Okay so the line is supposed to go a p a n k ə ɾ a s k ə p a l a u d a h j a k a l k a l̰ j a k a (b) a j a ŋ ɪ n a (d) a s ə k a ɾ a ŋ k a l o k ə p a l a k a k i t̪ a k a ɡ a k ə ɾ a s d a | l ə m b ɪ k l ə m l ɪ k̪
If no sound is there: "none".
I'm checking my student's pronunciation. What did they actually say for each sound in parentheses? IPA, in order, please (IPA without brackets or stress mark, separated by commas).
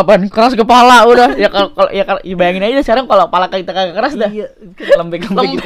b, d͡ʒ